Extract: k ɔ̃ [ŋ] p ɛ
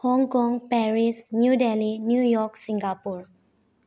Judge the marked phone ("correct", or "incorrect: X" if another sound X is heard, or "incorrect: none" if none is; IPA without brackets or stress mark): correct